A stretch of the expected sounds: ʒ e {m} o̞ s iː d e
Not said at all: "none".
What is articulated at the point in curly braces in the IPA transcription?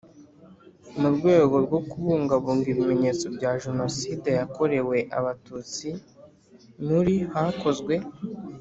n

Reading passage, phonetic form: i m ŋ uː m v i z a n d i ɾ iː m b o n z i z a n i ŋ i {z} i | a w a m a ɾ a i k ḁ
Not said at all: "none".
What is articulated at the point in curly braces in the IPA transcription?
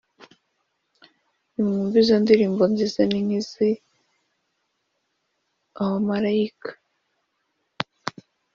z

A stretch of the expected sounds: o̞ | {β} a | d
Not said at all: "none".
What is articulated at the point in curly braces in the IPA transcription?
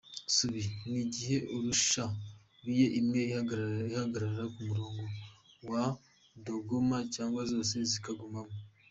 w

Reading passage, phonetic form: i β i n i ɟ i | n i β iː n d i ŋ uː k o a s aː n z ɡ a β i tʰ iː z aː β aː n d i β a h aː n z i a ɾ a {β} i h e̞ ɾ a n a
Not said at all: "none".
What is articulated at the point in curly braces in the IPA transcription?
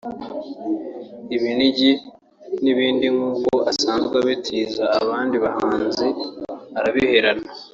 β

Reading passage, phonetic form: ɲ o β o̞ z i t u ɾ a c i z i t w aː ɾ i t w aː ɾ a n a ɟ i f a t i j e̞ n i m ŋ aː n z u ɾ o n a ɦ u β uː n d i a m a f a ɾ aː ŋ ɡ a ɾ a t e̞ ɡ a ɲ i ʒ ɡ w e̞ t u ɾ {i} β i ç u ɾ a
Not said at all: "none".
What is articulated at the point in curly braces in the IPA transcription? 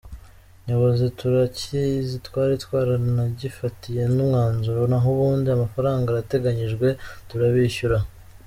a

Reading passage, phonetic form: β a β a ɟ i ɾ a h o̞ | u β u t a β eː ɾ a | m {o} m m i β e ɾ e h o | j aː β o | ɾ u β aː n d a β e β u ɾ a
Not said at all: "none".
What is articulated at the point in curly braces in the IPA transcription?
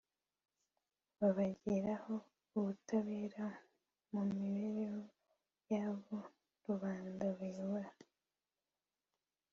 u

